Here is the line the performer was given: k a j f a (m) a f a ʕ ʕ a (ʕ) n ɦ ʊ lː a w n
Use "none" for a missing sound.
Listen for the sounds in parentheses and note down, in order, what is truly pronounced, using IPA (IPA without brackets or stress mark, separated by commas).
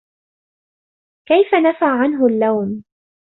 n, none